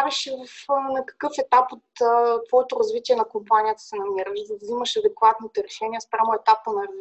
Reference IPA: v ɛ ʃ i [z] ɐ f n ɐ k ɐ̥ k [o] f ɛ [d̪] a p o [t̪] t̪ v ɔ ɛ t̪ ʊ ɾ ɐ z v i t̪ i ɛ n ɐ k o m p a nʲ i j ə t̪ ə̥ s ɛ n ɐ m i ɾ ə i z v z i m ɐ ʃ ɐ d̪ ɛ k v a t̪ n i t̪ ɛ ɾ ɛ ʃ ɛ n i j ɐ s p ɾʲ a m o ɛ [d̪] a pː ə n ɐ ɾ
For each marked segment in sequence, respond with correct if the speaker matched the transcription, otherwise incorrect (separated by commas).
incorrect, incorrect, incorrect, correct, incorrect